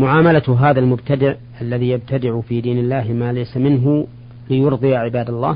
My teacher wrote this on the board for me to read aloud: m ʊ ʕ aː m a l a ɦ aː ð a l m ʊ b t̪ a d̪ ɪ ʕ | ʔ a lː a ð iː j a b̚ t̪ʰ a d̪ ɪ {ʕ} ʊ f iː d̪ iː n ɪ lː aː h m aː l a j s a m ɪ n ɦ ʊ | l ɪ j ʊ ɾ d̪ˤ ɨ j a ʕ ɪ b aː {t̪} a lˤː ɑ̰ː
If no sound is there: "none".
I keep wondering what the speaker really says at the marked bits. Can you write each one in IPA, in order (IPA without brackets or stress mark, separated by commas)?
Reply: ʕ, d̪